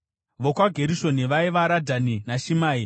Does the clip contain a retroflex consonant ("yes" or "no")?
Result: no